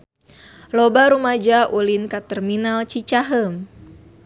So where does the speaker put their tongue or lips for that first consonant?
tongue tip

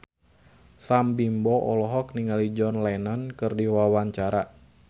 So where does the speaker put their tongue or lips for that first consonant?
tongue tip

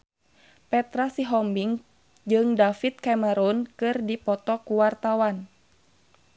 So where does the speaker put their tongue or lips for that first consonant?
lips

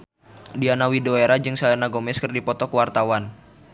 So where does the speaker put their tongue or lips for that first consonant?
tongue tip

